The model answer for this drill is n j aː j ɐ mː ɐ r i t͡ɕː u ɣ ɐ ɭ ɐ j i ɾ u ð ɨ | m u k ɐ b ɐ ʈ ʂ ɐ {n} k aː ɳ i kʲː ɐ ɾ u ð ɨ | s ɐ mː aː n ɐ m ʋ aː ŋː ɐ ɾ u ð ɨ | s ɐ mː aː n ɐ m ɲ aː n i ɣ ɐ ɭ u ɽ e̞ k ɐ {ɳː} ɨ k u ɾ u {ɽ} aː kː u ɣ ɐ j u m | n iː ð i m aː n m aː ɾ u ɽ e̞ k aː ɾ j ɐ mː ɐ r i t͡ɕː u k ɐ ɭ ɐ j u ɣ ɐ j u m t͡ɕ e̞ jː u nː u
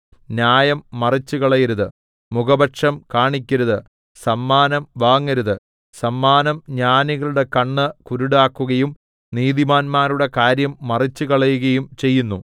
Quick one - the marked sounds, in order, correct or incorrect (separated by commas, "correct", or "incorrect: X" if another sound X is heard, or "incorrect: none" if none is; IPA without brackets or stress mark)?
incorrect: m, correct, correct